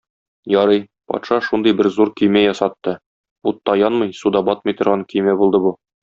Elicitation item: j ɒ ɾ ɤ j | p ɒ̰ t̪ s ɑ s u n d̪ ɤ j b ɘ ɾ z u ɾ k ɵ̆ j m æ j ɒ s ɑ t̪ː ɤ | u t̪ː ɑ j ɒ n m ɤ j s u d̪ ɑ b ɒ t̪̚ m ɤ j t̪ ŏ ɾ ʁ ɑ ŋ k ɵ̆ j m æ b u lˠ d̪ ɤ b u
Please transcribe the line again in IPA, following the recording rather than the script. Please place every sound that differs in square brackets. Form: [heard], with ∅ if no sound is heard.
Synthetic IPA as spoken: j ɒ ɾ ɤ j | p ɒ̰ t̪ [ʃ] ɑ [ʃ] u n d̪ ɤ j b ɘ ɾ z u ɾ k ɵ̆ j m æ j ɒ s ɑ t̪ː ɤ | u t̪ː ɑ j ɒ n m ɤ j s u d̪ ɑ b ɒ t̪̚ m ɤ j t̪ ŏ ɾ ʁ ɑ ŋ k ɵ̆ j m æ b u lˠ d̪ ɤ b u